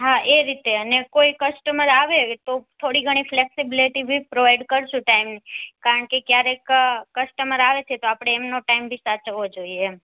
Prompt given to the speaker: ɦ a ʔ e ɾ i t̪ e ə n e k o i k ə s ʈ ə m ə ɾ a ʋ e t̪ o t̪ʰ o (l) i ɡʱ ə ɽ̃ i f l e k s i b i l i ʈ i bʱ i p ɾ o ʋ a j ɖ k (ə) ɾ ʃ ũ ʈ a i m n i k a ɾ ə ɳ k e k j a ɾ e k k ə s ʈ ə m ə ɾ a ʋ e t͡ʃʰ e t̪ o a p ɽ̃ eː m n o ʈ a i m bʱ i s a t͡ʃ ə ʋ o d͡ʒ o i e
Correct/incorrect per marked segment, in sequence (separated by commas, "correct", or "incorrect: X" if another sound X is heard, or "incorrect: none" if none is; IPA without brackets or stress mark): incorrect: ɽ, correct